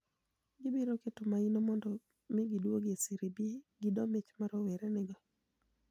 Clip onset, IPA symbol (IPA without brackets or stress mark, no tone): ɡ